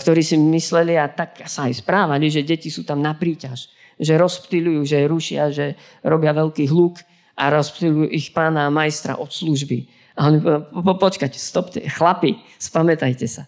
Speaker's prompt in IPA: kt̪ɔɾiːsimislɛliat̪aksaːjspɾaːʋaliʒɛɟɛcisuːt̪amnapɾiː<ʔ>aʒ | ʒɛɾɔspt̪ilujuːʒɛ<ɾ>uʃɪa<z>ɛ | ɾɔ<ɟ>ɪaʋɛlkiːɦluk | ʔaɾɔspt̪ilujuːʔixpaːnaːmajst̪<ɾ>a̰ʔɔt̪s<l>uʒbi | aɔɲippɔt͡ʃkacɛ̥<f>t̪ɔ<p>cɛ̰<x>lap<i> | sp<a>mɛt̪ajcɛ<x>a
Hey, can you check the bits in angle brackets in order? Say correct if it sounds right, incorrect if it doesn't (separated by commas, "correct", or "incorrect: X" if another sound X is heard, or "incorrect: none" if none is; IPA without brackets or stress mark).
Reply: incorrect: c, correct, incorrect: ʒ, incorrect: b, correct, correct, incorrect: s, correct, correct, correct, correct, incorrect: s